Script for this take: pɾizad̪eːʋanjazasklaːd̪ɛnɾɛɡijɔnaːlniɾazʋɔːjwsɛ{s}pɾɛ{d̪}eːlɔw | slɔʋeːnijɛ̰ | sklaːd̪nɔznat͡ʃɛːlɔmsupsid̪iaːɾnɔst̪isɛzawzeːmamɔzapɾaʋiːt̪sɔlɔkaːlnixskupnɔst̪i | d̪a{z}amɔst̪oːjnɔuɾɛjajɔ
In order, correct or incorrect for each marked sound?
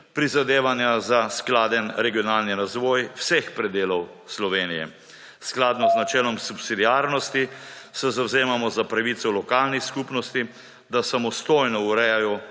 incorrect, correct, incorrect

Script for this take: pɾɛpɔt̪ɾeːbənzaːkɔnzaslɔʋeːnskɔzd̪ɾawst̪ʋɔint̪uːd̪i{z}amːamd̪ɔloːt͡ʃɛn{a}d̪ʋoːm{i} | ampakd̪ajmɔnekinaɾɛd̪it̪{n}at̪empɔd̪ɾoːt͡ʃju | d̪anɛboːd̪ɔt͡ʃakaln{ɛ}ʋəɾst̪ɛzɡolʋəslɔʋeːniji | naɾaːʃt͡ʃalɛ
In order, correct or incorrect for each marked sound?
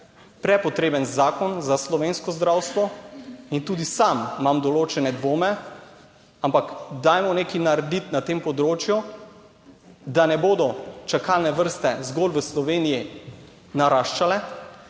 incorrect, incorrect, incorrect, correct, correct

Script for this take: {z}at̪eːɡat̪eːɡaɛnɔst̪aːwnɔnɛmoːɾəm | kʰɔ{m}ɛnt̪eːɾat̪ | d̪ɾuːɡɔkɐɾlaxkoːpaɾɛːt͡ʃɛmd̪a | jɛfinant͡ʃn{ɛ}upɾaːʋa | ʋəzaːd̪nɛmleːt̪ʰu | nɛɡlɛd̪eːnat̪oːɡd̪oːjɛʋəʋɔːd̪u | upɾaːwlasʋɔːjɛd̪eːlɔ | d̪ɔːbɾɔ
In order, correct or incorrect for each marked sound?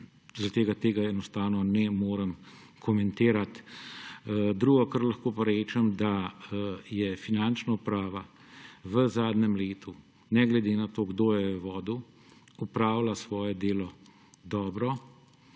correct, correct, incorrect

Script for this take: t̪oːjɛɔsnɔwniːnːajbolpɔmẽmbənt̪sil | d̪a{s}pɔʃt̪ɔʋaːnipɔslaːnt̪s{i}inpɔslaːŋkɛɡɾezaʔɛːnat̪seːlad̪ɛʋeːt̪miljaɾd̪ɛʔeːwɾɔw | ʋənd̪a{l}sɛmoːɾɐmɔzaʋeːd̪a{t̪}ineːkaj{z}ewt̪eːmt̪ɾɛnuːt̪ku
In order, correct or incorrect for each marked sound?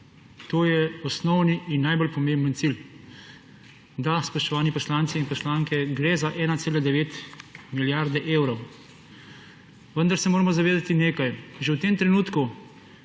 correct, correct, incorrect, correct, incorrect

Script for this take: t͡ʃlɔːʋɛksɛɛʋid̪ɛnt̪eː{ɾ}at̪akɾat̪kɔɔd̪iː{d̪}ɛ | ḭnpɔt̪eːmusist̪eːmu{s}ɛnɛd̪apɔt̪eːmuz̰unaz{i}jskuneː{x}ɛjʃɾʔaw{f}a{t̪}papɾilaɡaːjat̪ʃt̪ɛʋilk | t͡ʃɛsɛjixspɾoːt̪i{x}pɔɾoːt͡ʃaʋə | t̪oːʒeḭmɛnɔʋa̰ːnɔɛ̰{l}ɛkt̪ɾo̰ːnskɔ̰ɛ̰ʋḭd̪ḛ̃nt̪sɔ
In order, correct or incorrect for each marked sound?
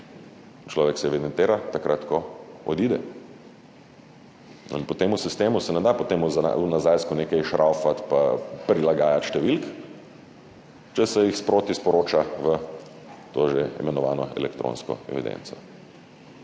correct, correct, correct, incorrect, incorrect, correct, correct, incorrect, correct

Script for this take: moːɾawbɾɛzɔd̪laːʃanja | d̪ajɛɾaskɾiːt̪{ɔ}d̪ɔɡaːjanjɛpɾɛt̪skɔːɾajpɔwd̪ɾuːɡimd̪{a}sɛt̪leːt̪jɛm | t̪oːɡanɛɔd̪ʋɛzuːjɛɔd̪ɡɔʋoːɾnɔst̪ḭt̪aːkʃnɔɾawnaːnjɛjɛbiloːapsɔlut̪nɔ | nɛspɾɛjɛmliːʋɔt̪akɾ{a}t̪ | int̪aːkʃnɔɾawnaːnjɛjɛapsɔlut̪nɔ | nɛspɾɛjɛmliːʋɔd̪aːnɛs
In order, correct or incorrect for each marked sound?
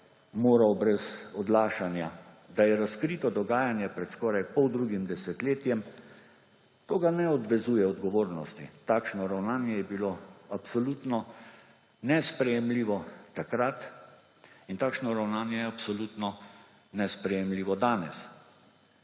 correct, incorrect, correct

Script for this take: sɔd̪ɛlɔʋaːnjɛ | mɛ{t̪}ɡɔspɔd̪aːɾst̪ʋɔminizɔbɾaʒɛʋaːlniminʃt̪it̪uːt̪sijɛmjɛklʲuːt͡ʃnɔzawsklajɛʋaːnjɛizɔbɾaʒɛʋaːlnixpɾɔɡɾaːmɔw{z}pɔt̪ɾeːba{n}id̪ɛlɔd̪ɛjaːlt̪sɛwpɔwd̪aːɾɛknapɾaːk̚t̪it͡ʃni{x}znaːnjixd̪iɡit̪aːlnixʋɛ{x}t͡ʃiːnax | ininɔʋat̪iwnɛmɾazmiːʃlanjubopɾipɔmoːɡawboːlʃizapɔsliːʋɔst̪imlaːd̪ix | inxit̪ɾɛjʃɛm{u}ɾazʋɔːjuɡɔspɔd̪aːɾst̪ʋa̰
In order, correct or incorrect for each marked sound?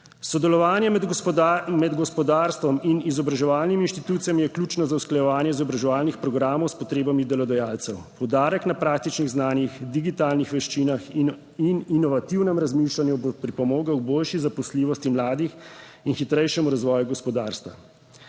incorrect, incorrect, incorrect, incorrect, incorrect, correct

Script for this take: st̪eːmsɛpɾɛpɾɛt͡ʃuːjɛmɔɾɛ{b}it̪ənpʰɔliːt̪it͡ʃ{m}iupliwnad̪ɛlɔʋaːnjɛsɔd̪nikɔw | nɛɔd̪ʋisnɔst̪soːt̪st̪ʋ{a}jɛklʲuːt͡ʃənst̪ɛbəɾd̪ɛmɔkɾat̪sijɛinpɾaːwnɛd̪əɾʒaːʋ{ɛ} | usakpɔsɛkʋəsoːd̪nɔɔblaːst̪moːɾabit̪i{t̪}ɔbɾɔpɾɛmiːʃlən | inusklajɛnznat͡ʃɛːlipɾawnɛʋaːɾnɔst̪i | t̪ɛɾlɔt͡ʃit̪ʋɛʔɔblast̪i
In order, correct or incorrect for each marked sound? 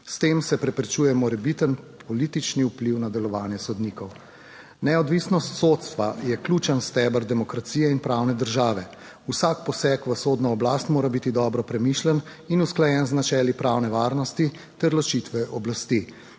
correct, incorrect, correct, correct, incorrect

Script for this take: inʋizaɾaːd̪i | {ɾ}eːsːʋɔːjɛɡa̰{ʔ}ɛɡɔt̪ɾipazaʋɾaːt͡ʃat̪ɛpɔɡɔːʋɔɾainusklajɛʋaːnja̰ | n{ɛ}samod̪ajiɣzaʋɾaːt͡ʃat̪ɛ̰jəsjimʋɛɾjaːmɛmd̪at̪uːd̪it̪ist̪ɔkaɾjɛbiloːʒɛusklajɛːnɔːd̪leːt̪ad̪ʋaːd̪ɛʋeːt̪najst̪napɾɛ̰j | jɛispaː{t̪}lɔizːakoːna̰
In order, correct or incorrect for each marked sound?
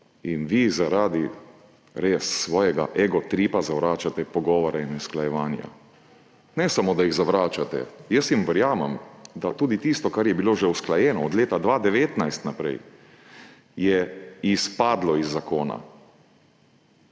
correct, correct, correct, incorrect

